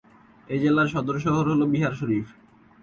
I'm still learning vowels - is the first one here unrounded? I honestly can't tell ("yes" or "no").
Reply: yes